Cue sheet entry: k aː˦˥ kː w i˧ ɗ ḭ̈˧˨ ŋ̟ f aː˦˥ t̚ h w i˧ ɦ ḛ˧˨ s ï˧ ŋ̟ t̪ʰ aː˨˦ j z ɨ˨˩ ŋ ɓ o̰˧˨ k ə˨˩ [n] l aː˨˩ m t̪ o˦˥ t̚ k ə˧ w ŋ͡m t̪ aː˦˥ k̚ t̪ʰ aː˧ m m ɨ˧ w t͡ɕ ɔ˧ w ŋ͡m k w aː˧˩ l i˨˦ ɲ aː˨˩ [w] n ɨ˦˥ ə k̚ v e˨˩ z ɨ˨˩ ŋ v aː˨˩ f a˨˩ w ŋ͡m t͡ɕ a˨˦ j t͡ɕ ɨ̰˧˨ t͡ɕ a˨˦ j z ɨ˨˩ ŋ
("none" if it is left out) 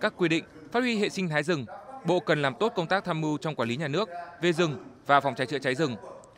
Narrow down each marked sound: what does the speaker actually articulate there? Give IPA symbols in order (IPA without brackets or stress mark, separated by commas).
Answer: n, none